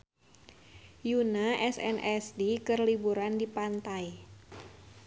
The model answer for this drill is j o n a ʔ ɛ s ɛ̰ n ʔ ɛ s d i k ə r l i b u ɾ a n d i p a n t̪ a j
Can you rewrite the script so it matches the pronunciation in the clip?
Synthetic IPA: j u n a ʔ ɛ s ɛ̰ n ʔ ɛ s d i k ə r l i b u ɾ a n d i p a n t̪ a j